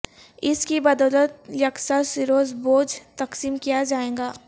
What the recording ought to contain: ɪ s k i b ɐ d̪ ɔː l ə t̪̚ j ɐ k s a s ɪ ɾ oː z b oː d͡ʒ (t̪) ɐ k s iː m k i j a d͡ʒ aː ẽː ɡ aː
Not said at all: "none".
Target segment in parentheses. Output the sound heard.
t̪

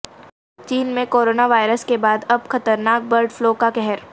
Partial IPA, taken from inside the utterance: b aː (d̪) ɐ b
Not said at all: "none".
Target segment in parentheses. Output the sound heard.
d̪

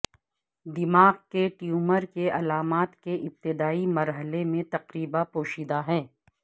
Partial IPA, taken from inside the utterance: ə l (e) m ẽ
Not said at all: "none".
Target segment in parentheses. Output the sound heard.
e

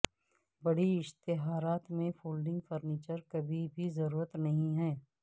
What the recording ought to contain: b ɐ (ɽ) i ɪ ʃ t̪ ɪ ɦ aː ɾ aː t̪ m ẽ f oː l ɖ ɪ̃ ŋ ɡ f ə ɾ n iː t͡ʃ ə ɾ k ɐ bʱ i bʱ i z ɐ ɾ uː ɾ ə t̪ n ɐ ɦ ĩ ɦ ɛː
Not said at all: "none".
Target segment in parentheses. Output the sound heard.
ɽ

